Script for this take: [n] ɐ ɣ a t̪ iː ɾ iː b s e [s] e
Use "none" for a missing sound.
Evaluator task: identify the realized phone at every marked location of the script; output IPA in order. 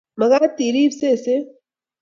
m, s

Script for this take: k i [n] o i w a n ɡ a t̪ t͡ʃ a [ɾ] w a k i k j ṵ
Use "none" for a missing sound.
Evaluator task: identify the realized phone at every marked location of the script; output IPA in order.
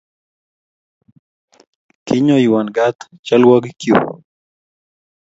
ɲ, l

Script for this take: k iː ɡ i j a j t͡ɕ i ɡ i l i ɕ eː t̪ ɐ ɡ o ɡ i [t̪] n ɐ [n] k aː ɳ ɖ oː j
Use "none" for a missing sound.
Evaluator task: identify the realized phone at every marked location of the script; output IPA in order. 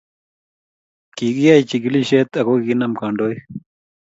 none, m

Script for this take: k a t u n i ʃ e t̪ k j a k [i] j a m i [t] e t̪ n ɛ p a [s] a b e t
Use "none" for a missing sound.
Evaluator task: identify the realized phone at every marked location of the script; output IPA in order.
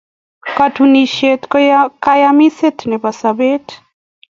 a, s, s

